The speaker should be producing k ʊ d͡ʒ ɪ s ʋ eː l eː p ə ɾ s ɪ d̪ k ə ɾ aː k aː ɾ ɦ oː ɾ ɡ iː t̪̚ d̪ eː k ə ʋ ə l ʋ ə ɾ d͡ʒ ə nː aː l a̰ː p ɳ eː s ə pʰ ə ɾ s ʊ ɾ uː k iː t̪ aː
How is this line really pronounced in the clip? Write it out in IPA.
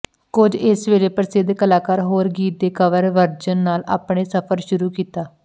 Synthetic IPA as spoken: k ʊ d͡ʒ ɪ s ʋ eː l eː p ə ɾ s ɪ d̪ k ə l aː k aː ɾ ɦ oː ɾ ɡ iː t̪̚ d̪ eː k ə ʋ ə ɾ ʋ ə ɾ d͡ʒ ə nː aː l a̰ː p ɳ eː s ə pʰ ə ɾ ʃ ʊ ɾ uː k iː t̪ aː